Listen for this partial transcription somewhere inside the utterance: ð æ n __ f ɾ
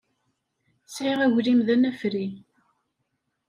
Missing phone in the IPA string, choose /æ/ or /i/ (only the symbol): æ